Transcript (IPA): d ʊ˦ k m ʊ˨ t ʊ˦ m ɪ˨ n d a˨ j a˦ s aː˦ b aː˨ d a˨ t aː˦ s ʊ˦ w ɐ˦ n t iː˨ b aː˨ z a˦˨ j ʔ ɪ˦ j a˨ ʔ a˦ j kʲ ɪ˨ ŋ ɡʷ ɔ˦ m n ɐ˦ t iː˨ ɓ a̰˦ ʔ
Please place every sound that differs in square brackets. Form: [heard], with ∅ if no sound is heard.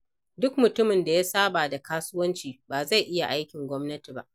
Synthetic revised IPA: d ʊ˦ k m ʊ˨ t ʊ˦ m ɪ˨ n d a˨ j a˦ s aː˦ b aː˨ d a˨ [k] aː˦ s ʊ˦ w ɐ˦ n [t͡ʃ] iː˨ b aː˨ z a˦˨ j ʔ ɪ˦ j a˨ ʔ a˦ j kʲ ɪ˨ ŋ ɡʷ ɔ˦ m n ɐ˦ t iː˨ [b] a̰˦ ʔ